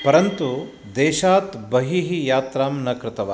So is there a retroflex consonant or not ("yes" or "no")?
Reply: no